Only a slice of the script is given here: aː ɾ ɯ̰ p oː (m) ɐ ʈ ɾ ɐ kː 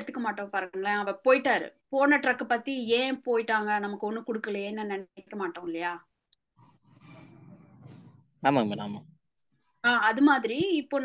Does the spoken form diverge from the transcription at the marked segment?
yes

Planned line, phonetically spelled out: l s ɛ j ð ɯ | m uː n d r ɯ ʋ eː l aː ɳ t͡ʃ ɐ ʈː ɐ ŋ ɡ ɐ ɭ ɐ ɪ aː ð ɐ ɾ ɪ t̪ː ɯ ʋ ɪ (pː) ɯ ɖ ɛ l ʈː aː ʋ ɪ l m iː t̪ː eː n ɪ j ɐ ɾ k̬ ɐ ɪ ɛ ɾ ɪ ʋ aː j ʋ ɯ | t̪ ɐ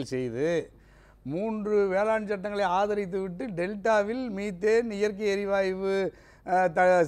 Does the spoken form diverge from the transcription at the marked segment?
yes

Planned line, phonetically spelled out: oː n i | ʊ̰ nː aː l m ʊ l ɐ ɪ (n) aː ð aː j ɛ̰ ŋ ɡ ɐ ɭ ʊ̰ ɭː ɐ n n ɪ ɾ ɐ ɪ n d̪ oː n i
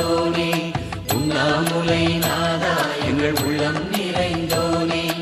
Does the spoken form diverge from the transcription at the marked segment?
no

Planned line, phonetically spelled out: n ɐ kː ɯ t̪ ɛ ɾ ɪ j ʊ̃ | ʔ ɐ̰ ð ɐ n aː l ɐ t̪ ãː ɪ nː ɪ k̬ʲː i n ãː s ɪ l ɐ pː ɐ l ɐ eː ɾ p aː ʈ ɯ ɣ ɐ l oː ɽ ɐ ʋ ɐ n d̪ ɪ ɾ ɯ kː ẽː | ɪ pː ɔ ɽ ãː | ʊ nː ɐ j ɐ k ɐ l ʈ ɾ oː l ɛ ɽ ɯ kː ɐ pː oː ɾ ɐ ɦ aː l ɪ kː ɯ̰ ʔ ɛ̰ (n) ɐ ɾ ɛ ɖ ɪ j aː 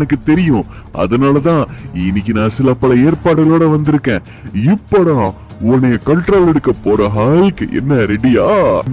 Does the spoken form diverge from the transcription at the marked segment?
yes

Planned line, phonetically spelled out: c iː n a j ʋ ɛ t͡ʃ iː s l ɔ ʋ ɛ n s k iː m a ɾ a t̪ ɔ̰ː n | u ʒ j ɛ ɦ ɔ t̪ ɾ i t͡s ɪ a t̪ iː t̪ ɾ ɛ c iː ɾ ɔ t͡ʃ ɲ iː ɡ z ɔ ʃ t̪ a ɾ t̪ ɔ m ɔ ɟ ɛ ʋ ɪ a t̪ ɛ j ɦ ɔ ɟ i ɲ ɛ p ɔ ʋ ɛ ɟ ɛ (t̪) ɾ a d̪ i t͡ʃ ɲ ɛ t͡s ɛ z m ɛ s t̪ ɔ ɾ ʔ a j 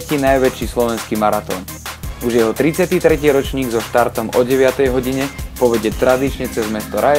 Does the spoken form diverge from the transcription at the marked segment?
no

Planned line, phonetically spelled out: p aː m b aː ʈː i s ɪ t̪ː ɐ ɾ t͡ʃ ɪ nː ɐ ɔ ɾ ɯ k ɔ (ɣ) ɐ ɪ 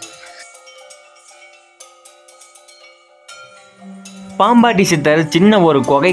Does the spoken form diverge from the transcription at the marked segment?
no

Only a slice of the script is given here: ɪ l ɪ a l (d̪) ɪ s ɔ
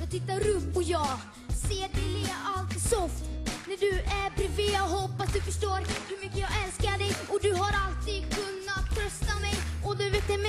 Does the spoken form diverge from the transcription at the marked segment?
yes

